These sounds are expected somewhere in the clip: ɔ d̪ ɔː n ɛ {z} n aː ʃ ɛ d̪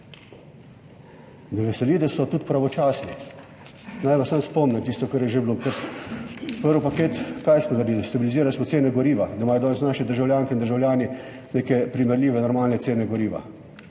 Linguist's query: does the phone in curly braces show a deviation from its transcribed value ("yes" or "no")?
yes